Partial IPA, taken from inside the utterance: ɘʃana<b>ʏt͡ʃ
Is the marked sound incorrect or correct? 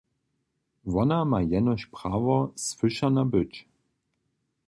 correct